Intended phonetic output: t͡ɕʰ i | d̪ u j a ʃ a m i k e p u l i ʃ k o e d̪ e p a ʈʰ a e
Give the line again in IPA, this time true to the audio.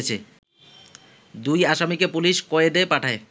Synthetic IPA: t͡ɕʰ e | d̪ u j a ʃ a m i k e p u l i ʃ k o e d̪ e p a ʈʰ a e